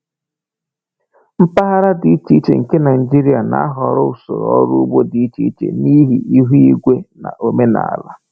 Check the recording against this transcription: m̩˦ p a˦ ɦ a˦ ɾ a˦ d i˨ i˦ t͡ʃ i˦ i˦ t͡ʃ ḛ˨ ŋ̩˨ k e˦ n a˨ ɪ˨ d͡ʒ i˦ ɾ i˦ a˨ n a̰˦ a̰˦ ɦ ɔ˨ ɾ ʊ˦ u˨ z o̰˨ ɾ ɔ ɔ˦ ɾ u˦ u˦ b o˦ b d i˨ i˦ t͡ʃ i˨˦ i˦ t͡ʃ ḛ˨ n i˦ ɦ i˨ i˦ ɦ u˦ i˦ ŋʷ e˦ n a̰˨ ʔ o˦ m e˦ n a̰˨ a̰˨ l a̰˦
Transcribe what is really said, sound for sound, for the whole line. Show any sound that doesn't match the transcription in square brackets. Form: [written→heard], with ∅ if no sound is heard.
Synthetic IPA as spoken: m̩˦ p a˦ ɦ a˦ ɾ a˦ d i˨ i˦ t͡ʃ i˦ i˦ t͡ʃ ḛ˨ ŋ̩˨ k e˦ n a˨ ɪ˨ d͡ʒ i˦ ɾ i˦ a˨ n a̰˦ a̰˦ ɦ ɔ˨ ɾ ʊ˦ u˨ [z→s] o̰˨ ɾ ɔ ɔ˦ ɾ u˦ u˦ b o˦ [b→∅] d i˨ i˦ t͡ʃ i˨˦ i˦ t͡ʃ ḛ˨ n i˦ ɦ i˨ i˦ ɦ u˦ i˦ [ŋʷ→ɡʷ] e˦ n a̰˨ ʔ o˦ m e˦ n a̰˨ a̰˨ l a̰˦